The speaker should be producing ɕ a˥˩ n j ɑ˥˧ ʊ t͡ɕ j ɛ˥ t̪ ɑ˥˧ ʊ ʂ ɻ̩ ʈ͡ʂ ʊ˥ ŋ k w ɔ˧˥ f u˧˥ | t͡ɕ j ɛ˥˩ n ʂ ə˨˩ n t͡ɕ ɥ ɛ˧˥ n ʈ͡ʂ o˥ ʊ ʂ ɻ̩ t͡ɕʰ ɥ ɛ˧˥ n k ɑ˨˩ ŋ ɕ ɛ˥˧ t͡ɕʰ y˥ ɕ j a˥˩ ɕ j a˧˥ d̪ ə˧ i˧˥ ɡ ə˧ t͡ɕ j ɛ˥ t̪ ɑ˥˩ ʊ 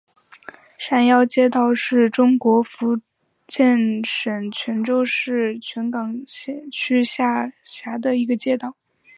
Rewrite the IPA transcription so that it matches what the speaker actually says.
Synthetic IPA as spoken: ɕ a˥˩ n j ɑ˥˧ ʊ t͡ɕ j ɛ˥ t̪ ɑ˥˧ ʊ ʂ ɻ̩ ʈ͡ʂ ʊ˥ ŋ k w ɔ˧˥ f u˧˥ | t͡ɕ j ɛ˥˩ n ʂ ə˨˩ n t͡ɕʰ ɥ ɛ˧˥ n ʈ͡ʂ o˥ ʊ ʂ ɻ̩ t͡ɕʰ ɥ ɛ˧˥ n k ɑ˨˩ ŋ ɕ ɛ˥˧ t͡ɕʰ y˥ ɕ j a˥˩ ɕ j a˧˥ d̪ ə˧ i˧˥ ɡ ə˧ t͡ɕ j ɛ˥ t̪ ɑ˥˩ ʊ

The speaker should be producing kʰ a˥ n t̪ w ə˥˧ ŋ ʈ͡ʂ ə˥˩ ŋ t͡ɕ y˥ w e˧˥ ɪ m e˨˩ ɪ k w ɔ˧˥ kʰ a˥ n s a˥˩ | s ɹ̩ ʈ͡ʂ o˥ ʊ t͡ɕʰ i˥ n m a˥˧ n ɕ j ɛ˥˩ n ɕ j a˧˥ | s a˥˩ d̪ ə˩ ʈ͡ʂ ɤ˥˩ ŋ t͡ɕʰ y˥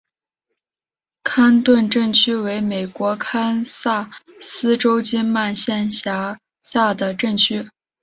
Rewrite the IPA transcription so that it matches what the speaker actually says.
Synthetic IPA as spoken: kʰ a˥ n t̪ w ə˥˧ n ʈ͡ʂ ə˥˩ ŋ t͡ɕʰ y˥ w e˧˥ ɪ m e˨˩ ɪ k w ɔ˧˥ kʰ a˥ n s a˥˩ | s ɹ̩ ʈ͡ʂ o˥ ʊ t͡ɕ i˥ n m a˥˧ n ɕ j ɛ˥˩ n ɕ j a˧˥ | s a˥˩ d̪ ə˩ ʈ͡ʂ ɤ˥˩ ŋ t͡ɕʰ y˥

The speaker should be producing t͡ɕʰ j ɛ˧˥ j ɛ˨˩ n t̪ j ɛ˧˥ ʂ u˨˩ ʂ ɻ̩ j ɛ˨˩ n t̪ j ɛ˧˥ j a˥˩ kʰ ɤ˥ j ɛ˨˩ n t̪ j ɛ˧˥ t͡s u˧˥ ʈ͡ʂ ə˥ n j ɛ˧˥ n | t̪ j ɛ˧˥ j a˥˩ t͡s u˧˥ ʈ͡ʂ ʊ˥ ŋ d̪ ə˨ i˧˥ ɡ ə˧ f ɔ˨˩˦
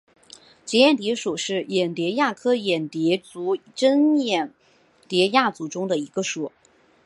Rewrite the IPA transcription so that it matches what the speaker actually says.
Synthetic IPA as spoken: t͡ɕ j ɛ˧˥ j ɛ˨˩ n t̪ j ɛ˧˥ ʂ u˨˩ ʂ ɻ̩ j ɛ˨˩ n t̪ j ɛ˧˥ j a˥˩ kʰ ɤ˥ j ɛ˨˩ n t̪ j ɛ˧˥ t͡s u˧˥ ʈ͡ʂ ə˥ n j ɛ˨˩ n | t̪ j ɛ˧˥ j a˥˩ t͡s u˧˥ ʈ͡ʂ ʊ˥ ŋ d̪ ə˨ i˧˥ ɡ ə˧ ʂ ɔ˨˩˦

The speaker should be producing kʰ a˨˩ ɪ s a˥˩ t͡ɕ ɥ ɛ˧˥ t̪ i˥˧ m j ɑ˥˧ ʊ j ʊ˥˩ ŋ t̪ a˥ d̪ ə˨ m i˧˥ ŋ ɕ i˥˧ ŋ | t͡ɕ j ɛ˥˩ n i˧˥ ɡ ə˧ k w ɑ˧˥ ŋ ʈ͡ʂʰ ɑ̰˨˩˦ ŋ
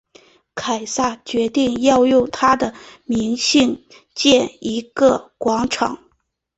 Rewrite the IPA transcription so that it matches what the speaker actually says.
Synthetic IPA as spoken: kʰ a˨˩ ɪ s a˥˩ t͡ɕ ɥ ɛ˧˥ t̪ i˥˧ ŋ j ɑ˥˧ ʊ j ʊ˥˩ ŋ t̪ʰ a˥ d̪ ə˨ m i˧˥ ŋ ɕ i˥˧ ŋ | t͡ɕ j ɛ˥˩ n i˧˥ ɡ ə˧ k w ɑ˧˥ ŋ ʈ͡ʂʰ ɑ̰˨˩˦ ŋ

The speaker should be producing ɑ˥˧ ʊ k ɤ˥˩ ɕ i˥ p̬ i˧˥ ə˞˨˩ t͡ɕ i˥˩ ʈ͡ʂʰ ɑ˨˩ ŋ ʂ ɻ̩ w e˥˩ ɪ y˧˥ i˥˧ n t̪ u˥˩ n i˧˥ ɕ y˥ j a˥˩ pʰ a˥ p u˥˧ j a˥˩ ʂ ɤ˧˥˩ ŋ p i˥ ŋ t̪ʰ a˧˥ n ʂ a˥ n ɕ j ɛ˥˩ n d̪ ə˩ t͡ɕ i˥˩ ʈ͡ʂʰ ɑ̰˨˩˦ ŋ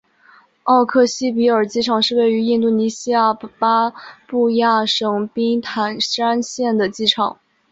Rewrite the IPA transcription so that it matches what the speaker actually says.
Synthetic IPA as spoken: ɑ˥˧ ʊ kʰ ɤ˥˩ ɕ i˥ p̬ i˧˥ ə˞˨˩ t͡ɕ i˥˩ ʈ͡ʂʰ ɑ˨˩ ŋ ʂ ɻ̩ w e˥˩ ɪ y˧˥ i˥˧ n t̪ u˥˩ n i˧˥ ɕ i˥ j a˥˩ p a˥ p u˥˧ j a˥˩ ʂ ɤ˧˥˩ ŋ p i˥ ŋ t̪ʰ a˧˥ n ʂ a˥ n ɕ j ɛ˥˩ n d̪ ə˩ t͡ɕ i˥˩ ʈ͡ʂʰ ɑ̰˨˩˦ ŋ

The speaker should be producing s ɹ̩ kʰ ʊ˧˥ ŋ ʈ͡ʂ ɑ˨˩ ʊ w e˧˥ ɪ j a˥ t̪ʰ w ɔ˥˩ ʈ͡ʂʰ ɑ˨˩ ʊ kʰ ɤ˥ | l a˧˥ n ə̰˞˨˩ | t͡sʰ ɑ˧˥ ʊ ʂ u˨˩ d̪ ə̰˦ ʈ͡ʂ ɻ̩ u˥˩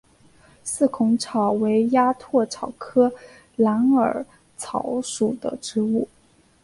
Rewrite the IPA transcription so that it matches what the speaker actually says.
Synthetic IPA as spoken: s ɹ̩ kʰ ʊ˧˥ ŋ ʈ͡ʂʰ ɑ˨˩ ʊ w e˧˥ ɪ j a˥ t̪ʰ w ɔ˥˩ ʈ͡ʂʰ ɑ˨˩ ʊ kʰ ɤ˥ | l a˧˥ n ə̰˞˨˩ | t͡sʰ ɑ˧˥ ʊ ʂ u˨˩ d̪ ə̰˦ ʈ͡ʂ ɻ̩ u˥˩

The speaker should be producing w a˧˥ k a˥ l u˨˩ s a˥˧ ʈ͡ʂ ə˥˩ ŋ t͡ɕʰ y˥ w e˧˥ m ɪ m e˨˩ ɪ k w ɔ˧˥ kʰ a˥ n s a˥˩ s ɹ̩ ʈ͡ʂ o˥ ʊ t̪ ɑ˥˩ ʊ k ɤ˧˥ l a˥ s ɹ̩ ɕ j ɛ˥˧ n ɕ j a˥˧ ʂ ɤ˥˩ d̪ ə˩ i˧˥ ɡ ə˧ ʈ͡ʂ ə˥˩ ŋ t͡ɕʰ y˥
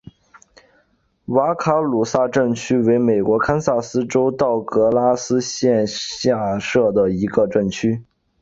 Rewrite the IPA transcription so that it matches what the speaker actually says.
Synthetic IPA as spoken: w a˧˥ kʰ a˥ l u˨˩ s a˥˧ ʈ͡ʂ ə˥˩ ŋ t͡ɕʰ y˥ w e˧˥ ɪ m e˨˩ ɪ k w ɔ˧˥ kʰ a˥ n s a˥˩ s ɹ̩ ʈ͡ʂ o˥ ʊ t̪ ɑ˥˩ ʊ k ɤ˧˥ l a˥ s ɹ̩ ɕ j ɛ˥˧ n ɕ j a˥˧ ʂ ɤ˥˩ d̪ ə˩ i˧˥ ɡ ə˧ ʈ͡ʂ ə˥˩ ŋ t͡ɕʰ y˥

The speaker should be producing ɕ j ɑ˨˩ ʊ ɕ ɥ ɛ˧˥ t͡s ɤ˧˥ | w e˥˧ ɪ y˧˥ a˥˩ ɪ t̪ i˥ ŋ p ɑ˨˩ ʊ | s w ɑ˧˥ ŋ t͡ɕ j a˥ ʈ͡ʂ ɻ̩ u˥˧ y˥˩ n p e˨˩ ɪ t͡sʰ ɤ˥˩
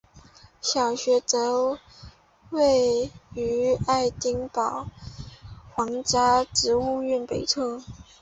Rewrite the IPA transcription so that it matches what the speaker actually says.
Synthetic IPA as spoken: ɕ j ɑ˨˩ ʊ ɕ ɥ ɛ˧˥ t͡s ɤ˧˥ | w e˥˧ ɪ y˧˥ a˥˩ ɪ t̪ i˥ ŋ p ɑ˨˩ ʊ | x w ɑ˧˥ ŋ t͡ɕ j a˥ ʈ͡ʂ ɻ̩ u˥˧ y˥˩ n p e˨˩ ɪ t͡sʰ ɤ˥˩

